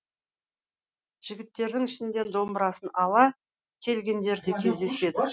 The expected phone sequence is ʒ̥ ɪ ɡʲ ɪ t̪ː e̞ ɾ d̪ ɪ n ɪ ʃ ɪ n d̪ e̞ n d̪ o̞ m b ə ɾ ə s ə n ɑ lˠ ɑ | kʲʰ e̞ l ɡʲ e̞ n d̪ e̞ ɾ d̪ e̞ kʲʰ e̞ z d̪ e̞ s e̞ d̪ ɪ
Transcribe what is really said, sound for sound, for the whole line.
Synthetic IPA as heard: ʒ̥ ɪ ɡʲ ɪ t̪ː e̞ ɾ d̪ ɪ ŋ ɪ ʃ ɪ n d̪ e̞ n d̪ o̞ m b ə ɾ ɑ s ə n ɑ lˠ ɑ | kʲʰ e̞ l ɡʲ e̞ n d̪ e̞ ɾ d̪ e̞ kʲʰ e̞ z d̪ e̞ s e̞ d̪ ɪ